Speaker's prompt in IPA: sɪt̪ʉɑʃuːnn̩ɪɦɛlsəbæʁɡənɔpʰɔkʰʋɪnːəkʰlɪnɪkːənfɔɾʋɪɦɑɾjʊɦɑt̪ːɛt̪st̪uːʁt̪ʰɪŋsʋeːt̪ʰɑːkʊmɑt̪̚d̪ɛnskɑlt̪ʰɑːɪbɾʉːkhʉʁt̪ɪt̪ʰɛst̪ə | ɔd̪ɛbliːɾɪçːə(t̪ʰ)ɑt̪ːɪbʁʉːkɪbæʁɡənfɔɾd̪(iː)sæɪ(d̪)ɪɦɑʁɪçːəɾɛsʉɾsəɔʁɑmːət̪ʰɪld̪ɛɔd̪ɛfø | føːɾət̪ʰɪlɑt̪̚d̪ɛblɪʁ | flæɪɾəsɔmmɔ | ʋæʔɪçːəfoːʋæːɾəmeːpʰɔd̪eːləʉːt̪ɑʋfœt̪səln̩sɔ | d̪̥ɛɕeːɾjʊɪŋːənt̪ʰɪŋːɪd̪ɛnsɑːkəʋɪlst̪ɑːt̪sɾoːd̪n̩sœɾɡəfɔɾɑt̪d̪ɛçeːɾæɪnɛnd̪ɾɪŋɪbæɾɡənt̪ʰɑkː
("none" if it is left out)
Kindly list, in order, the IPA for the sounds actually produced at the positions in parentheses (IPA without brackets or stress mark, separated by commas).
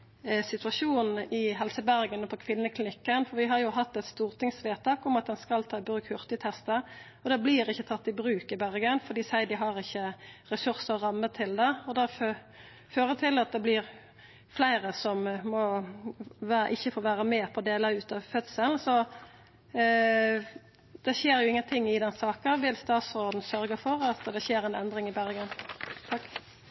t̪ʰ, iː, d̪